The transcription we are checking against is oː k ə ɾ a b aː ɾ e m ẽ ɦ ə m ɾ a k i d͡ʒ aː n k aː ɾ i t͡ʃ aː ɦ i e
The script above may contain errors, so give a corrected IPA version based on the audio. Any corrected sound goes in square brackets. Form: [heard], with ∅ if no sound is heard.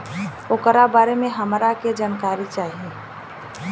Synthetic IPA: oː k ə ɾ a b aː ɾ e m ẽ ɦ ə m ɾ a k [e] d͡ʒ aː n k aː ɾ i t͡ʃ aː ɦ i e

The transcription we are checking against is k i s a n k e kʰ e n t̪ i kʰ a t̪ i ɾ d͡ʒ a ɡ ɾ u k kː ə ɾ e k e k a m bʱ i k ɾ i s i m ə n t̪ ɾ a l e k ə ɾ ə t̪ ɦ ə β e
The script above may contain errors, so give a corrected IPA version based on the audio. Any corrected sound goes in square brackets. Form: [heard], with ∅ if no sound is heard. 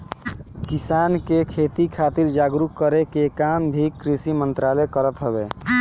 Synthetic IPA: k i s a n k e kʰ e [∅] t̪ i kʰ a t̪ i ɾ d͡ʒ a ɡ ɾ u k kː ə ɾ e k e k a m bʱ i k ɾ i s i m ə n t̪ ɾ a l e k ə ɾ ə t̪ ɦ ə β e

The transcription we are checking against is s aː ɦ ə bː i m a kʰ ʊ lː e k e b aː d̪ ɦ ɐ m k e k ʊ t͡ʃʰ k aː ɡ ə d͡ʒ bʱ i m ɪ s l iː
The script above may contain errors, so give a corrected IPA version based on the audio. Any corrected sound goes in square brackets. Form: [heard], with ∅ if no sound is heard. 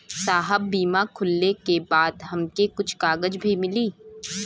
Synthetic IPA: s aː ɦ ə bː [iː] m a kʰ ʊ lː e k e b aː d̪ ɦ ɐ m k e k ʊ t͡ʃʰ k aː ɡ ə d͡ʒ bʱ i m ɪ [∅] l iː

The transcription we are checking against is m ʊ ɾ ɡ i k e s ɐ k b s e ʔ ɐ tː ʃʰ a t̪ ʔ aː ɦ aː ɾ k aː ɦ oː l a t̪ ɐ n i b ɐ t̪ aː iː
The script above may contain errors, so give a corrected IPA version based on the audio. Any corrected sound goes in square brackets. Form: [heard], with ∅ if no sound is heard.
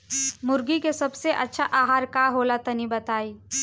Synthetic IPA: m ʊ ɾ ɡ i k e s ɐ [∅] b s e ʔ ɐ tː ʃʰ a [∅] ʔ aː ɦ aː ɾ k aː ɦ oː l a t̪ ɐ n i b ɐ t̪ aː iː

